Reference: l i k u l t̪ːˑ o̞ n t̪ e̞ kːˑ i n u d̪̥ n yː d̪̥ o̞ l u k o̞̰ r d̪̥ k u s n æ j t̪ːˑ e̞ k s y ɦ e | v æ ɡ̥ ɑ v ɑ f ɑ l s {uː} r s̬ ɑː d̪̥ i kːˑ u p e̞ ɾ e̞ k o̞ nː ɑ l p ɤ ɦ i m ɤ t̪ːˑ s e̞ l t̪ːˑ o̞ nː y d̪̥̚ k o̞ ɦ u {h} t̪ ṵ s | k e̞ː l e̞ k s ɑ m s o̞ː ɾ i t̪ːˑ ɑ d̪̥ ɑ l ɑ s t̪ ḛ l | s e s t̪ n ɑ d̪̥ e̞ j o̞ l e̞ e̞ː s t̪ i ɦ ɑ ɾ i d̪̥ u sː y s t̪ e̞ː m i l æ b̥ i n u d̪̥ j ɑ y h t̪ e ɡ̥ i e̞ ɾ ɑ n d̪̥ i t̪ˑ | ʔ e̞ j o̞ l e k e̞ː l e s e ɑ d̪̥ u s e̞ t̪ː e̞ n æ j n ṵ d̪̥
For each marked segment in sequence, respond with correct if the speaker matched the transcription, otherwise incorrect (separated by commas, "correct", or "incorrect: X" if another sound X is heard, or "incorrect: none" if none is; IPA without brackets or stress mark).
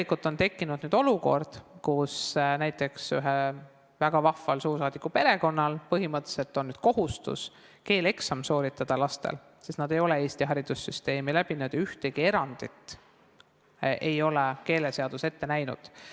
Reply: correct, incorrect: s